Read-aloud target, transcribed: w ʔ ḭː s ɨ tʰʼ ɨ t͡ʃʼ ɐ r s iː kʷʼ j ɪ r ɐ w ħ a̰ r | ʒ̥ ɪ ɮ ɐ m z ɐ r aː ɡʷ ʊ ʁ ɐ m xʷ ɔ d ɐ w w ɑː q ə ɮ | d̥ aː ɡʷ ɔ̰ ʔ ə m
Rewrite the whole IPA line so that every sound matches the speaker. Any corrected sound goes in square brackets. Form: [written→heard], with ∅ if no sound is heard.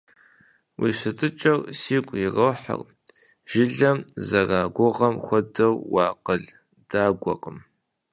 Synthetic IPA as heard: w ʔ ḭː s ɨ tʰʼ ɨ t͡ʃʼ ɐ r s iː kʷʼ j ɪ r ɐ w ħ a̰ r | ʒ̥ ɪ ɮ ɐ m z ɐ r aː ɡʷ ʊ ʁ ɐ m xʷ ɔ d ɐ w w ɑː q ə ɮ | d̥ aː ɡʷ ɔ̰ [ʔ→q] ə m